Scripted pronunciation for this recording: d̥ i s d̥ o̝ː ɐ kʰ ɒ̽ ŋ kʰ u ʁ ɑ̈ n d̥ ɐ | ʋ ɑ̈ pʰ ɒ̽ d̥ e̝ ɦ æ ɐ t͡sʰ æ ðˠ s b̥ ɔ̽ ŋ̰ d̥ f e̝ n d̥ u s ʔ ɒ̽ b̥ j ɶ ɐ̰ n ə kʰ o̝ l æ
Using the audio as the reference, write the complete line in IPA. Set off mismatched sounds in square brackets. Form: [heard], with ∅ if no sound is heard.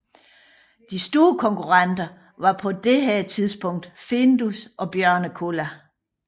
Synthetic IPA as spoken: d̥ i s d̥ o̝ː ɐ kʰ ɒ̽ ŋ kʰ u ʁ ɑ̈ n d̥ ɐ | ʋ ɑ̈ pʰ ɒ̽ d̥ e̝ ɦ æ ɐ t͡sʰ [i] ðˠ s b̥ ɔ̽ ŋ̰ d̥ f e̝ n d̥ u s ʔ ɒ̽ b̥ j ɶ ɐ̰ n ə kʰ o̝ l æ